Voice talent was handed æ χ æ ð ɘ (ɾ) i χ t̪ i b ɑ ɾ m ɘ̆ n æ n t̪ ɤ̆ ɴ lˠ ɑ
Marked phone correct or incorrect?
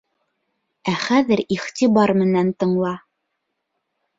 correct